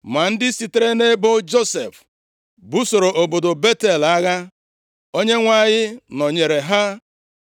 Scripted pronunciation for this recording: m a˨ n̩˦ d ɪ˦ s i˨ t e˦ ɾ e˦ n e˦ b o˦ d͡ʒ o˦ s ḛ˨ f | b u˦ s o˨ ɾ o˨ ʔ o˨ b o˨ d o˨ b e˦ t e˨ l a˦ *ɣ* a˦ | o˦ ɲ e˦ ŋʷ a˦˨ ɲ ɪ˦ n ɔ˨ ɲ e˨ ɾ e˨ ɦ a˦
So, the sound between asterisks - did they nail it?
yes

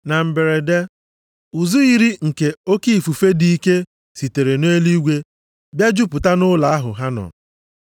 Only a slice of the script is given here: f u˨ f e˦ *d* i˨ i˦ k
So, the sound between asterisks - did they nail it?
yes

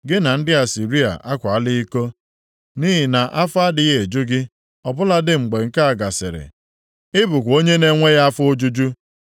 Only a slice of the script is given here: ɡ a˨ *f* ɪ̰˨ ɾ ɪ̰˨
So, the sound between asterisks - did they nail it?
no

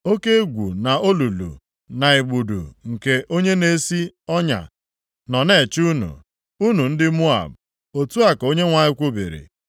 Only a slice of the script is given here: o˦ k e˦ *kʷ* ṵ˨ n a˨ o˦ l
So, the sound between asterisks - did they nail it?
no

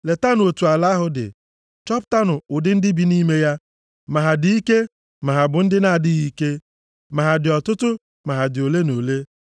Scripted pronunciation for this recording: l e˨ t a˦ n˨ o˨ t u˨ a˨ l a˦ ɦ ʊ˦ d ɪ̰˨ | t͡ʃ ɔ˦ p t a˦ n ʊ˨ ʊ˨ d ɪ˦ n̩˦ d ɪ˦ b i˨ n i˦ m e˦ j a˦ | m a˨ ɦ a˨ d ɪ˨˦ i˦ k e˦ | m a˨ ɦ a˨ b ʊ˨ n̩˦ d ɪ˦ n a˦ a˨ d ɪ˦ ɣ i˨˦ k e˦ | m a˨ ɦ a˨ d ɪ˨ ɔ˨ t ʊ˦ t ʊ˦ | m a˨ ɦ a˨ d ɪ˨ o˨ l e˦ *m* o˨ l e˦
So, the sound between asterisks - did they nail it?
no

